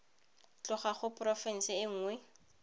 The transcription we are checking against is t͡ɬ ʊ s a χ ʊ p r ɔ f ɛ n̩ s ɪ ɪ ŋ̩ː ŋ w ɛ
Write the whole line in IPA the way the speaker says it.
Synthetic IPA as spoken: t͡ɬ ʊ χ a χ ʊ p r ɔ f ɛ n̩ s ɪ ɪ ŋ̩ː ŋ w ɛ